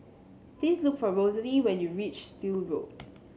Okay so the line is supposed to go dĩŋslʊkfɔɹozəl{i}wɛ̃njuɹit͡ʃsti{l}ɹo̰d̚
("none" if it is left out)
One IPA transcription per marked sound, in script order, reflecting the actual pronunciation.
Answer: i, l

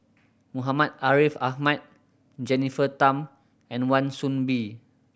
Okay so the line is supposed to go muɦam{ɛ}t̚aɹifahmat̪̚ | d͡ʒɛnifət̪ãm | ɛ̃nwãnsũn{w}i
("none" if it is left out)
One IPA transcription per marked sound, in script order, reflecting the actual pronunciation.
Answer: a, b

